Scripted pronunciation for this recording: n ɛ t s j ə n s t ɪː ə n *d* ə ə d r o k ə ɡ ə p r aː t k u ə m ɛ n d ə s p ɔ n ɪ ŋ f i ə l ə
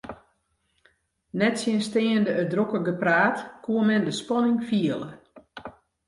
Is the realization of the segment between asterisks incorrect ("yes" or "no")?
no